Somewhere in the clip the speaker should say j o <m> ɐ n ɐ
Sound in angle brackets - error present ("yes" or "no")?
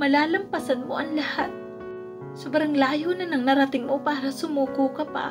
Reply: yes